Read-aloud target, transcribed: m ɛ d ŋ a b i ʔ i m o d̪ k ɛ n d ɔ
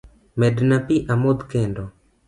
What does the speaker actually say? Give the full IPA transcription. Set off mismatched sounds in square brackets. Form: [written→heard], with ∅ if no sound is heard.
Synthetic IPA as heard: m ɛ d [ŋ→n] a [b→p] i ʔ [i→a] m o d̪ k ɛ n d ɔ